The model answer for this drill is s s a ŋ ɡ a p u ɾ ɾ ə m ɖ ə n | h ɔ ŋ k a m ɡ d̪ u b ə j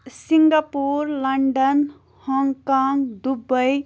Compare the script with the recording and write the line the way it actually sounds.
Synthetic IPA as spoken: s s i ŋ ɡ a p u ɾ l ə ɳ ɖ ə n | h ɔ ŋ k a ŋ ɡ d̪ u b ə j